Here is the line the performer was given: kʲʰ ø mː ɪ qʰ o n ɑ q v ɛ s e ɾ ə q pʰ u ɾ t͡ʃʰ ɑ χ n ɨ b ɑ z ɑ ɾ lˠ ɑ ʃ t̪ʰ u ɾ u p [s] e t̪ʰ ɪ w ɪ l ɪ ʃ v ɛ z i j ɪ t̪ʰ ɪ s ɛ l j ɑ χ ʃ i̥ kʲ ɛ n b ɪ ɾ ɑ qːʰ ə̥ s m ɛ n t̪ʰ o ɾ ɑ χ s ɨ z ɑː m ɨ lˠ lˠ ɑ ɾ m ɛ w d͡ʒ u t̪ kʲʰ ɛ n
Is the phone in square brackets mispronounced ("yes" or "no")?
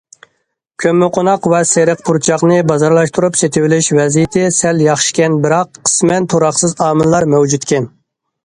no